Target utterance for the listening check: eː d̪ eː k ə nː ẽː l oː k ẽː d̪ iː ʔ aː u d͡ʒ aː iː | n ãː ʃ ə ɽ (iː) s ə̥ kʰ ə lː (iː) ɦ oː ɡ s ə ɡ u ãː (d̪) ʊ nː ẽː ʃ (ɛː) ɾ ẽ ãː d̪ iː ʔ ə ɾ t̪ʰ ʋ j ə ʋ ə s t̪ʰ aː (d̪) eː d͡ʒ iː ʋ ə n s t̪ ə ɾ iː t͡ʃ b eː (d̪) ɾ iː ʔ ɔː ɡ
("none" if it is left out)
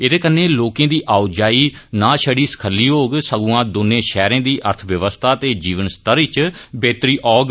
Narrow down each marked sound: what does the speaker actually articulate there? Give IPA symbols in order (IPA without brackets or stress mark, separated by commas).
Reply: iː, iː, d̪, ɛː, t̪, t̪